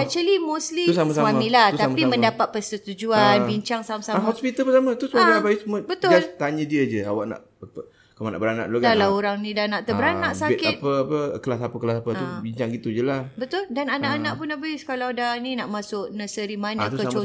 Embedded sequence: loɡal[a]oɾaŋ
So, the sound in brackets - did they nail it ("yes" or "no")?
yes